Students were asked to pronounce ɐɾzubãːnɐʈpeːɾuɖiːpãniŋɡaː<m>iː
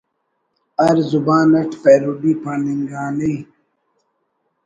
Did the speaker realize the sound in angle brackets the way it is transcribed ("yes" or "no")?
no